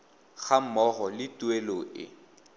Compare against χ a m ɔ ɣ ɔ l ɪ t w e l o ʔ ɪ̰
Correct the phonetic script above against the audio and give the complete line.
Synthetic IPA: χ a m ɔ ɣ ɔ l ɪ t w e l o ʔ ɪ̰